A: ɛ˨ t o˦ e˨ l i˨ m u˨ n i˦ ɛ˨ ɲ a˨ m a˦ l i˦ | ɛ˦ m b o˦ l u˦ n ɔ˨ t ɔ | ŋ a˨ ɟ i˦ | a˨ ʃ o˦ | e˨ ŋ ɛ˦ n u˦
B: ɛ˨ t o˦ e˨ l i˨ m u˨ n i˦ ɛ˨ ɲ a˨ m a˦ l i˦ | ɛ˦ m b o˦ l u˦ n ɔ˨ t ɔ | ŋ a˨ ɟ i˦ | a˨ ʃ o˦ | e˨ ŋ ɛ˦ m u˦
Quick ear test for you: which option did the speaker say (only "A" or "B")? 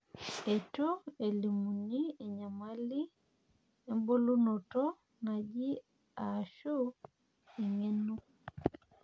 A